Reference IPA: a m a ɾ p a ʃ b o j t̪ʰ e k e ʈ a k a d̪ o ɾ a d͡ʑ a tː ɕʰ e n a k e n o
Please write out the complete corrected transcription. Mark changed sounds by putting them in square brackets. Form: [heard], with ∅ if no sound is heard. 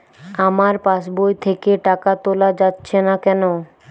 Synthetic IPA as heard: a m a ɾ p a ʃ b o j t̪ʰ e k e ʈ a k a [t̪] o [l] a d͡ʑ a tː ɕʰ e n a k [ɛ] n o

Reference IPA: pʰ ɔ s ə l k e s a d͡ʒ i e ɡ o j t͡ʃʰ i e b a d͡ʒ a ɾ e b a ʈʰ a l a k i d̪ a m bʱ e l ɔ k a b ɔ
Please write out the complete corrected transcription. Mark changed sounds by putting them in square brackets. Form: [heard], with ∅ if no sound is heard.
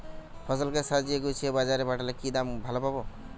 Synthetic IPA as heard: pʰ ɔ s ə l k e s a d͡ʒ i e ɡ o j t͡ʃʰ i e b a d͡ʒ a ɾ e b a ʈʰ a l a k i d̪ a m bʱ [a] l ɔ [p] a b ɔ

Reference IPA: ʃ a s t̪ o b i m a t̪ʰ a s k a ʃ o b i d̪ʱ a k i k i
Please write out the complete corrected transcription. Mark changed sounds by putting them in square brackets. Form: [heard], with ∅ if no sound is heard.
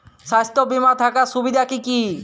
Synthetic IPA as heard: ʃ a s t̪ o b i m a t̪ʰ a [∅] k a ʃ [u] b i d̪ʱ a k i k i

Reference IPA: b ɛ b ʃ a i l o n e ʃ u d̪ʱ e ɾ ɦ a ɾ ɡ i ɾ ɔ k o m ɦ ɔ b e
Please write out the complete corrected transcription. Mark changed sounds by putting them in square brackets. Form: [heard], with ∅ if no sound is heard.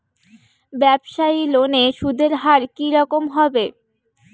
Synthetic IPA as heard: b ɛ b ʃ a i l o n e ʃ u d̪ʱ e ɾ ɦ a ɾ [k] i ɾ ɔ k o m ɦ ɔ b e

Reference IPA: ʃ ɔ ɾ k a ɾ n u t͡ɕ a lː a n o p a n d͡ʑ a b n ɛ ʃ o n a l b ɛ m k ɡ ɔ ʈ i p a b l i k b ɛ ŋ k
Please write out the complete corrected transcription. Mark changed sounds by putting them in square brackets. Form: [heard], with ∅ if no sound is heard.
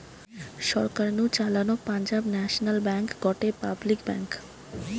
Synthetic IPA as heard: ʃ ɔ ɾ k a ɾ n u t͡ɕ a [l] a n o p a n d͡ʑ a b n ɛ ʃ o n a l b ɛ [ŋ] k ɡ ɔ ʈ [e] p a b l i k b ɛ ŋ k

